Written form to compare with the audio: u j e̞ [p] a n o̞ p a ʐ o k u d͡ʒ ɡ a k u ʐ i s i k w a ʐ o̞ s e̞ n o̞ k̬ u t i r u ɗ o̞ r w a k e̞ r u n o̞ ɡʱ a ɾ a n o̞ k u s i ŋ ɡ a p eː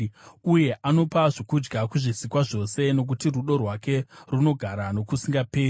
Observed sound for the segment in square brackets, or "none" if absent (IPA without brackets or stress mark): ʔ